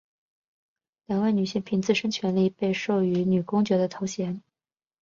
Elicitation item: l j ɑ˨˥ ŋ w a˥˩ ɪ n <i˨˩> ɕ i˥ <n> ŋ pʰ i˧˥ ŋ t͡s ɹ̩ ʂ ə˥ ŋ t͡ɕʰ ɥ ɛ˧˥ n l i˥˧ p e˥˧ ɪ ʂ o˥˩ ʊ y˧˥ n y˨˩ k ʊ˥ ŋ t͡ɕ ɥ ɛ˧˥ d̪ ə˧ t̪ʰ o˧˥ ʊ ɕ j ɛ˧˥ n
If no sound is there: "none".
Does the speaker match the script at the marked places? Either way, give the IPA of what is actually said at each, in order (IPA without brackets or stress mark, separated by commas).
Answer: y˨˩, none